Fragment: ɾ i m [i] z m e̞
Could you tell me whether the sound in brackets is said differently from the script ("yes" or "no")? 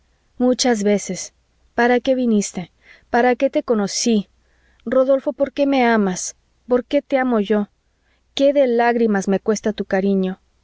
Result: yes